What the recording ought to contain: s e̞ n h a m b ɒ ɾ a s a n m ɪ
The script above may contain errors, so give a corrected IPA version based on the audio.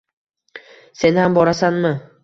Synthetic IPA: s e̞ n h a m b ɒ ɾ a s a n m ɪ